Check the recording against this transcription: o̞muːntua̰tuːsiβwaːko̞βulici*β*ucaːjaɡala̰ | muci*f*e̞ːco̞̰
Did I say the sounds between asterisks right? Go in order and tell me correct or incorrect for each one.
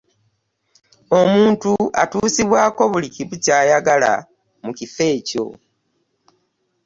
correct, correct

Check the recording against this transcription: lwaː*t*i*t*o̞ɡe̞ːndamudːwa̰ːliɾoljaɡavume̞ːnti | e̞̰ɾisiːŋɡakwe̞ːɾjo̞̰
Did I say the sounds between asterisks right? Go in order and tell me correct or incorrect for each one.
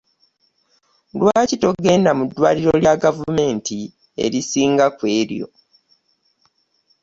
incorrect: c, correct

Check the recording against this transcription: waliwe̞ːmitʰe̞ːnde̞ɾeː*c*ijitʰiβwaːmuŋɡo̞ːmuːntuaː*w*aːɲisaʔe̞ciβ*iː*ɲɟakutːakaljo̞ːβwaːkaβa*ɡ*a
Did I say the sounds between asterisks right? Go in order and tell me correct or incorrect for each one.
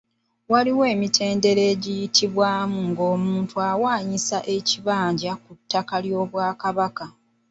incorrect: ɟ, correct, incorrect: aː, incorrect: k

